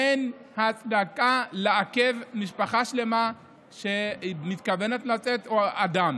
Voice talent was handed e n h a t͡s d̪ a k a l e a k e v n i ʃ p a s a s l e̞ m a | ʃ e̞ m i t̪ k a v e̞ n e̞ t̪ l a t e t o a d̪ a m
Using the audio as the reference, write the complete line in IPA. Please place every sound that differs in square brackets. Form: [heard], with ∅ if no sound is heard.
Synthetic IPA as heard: e n h a t͡s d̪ a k a l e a k e v [m] i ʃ p a [χ] a [ʃ] l e̞ m a | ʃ e̞ m i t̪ k a v e̞ n e̞ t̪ l a [t͡s] e t o a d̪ a m